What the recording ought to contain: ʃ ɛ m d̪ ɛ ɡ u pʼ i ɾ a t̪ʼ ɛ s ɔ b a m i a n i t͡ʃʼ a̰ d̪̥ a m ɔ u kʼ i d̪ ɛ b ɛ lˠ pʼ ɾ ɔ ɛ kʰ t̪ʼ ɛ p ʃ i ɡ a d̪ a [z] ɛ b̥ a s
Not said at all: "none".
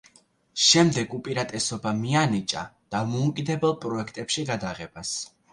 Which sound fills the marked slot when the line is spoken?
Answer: ʁ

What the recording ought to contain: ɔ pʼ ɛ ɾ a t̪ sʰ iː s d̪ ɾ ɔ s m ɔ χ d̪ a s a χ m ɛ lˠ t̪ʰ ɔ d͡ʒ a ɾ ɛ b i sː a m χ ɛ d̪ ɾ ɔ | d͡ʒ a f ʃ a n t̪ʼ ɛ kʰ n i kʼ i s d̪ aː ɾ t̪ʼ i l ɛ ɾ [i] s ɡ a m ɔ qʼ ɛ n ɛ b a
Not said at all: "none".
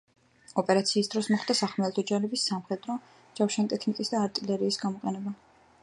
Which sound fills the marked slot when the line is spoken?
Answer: iː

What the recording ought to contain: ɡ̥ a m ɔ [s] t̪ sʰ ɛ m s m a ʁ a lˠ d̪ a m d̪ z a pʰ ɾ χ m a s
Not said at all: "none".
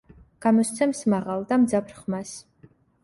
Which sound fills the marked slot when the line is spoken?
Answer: s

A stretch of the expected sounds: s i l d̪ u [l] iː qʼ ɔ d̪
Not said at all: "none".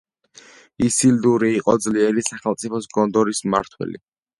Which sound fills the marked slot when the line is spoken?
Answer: ɾ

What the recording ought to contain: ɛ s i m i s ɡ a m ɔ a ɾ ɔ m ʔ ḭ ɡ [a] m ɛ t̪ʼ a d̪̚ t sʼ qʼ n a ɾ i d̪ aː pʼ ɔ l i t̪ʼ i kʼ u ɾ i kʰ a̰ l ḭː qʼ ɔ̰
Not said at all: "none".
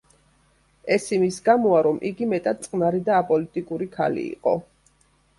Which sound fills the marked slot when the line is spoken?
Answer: i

